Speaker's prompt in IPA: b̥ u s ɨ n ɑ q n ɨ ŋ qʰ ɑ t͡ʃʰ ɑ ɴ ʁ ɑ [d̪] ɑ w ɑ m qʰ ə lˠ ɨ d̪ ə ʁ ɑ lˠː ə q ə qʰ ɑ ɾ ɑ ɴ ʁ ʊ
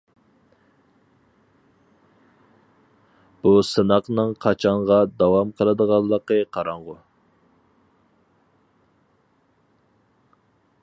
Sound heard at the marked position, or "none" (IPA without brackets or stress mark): d̪